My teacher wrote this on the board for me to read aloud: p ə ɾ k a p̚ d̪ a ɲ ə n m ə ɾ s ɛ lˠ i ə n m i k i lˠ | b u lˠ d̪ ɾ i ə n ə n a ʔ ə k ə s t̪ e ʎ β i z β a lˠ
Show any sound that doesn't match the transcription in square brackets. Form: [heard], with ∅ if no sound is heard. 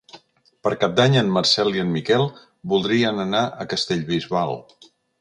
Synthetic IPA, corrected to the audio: p ə ɾ k a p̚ d̪ a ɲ ə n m ə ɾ s ɛ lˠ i ə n m i k [ɛ] lˠ | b u lˠ d̪ ɾ i ə n ə n a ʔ ə k ə s t̪ e ʎ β i z β a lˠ